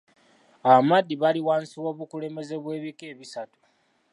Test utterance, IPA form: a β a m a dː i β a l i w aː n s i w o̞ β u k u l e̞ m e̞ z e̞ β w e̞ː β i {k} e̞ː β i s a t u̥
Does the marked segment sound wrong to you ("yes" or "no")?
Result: no